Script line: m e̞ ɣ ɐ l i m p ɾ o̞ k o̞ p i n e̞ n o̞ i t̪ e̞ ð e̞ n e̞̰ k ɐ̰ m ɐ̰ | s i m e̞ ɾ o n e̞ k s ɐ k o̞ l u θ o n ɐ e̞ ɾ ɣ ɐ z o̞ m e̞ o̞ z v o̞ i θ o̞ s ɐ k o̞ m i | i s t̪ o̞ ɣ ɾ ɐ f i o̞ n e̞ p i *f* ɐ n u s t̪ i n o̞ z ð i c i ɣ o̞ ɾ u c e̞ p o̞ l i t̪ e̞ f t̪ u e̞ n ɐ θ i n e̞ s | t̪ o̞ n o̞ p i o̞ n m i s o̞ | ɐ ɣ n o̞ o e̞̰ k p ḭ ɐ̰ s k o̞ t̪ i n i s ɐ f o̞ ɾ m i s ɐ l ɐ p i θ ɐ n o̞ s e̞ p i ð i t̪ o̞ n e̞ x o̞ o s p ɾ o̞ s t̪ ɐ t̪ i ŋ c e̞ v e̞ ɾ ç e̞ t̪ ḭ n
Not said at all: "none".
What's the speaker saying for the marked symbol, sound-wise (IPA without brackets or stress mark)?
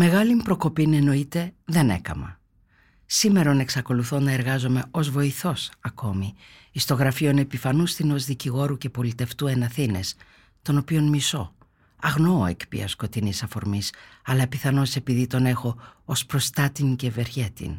f